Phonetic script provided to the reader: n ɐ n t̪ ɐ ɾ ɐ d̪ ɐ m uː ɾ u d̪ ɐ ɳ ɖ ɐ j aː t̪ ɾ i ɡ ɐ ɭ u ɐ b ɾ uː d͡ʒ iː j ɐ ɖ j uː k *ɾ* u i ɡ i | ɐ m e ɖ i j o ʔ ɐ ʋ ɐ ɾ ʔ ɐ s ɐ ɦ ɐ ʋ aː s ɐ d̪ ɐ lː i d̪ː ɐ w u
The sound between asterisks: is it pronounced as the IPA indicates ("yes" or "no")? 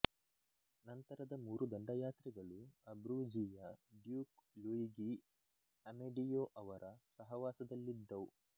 no